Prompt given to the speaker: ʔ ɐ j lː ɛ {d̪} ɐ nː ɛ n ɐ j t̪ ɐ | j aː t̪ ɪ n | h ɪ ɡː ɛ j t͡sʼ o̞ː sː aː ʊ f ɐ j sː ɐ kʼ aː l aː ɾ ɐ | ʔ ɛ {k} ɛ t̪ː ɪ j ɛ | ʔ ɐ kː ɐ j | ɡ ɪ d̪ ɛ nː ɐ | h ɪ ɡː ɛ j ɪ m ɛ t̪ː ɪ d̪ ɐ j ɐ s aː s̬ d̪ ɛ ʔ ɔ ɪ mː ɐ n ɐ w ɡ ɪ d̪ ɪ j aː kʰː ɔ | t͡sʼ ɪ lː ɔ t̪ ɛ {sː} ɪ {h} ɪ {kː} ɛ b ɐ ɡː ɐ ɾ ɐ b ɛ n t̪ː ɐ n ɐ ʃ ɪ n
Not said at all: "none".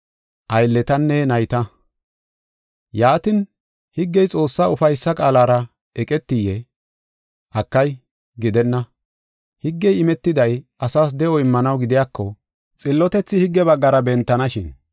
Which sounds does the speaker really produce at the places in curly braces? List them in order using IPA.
t̪, kʼ, t͡sː, h, ɡː

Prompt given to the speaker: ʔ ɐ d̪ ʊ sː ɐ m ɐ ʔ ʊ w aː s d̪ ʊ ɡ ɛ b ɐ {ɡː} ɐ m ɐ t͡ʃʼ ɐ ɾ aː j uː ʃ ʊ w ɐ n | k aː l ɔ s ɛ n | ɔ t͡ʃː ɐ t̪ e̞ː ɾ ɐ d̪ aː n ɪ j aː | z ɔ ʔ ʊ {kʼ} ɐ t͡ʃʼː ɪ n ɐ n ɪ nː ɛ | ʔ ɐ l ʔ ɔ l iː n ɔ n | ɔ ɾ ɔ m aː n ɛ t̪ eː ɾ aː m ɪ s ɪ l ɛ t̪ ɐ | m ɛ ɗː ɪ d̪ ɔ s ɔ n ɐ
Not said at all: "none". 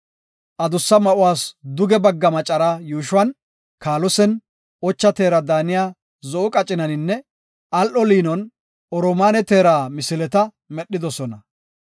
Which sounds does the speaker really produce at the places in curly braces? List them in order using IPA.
ɡː, kʼ

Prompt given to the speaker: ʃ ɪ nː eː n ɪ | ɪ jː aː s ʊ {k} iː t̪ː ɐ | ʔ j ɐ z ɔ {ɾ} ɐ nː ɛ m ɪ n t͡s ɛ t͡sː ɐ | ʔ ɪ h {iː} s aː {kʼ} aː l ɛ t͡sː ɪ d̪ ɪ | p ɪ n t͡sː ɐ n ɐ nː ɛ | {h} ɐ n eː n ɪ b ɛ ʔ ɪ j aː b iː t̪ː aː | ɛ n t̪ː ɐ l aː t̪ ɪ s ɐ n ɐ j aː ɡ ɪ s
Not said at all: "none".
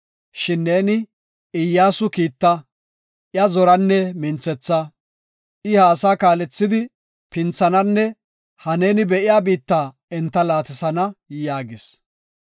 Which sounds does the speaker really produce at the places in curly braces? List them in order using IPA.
k, ɾ, aː, k, h

